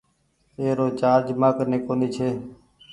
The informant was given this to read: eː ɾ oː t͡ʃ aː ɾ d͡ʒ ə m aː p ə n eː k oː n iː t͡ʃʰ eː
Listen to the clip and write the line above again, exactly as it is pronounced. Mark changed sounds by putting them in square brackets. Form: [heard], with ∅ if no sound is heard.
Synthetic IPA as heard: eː ɾ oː t͡ʃ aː ɾ d͡ʒ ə m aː [k] ə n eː k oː n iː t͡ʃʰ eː

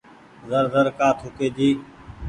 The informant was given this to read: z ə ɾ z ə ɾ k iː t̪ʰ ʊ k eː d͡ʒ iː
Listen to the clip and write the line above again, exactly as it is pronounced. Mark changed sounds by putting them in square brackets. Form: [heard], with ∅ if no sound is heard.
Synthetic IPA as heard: z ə ɾ z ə ɾ k [aː] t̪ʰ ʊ k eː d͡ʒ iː

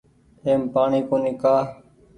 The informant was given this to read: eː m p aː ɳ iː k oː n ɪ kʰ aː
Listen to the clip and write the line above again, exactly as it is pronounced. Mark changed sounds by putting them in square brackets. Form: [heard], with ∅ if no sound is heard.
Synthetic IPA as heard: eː m p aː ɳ iː k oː n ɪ [k] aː

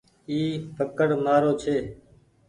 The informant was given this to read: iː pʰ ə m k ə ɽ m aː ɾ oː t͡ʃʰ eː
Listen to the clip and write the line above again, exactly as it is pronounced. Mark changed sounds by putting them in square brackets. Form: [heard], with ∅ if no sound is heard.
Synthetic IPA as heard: iː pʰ ə [∅] k ə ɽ m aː ɾ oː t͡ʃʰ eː

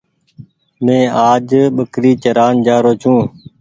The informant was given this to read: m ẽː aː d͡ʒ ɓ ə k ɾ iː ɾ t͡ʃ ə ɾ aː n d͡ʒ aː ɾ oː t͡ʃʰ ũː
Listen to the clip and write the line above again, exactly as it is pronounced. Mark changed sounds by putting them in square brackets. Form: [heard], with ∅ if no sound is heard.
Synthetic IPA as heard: m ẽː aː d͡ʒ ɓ ə k ɾ iː [∅] t͡ʃ ə ɾ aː n d͡ʒ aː ɾ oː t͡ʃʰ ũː

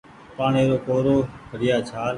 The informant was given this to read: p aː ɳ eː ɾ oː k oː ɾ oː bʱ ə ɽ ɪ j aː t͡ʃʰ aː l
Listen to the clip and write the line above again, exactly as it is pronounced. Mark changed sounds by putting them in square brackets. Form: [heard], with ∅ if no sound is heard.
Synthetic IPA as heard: p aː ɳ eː ɾ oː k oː ɾ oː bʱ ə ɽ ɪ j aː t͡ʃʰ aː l

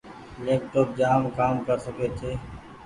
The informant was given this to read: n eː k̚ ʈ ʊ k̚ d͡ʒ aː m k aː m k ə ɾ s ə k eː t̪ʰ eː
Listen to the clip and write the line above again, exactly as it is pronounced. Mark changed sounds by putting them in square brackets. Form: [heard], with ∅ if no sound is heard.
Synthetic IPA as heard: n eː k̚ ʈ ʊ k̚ d͡ʒ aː m k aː m k ə ɾ s ə k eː t̪ʰ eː

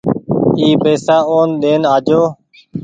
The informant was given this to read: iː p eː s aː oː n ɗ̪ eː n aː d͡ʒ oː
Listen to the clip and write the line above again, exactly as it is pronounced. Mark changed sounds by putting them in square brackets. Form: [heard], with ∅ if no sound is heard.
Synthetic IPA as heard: iː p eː s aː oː n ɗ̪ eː n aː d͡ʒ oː

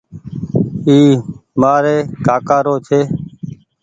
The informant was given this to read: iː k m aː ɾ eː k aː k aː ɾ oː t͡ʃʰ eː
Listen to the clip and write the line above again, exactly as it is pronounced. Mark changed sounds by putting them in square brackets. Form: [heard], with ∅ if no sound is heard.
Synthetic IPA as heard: iː [∅] m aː ɾ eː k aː k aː ɾ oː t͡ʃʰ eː

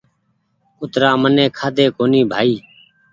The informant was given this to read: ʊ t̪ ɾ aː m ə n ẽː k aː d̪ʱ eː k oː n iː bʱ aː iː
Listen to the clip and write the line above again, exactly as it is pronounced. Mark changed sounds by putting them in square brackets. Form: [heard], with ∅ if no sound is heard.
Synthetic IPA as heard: ʊ t̪ ɾ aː m ə n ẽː [kʰ] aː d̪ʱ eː k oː n iː bʱ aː iː

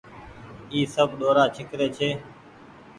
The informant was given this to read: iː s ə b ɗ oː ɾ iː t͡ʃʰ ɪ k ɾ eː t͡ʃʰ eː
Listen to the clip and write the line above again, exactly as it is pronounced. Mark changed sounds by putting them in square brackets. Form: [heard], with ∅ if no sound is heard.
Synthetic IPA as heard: iː s ə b ɗ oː ɾ [aː] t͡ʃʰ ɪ k ɾ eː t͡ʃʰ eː

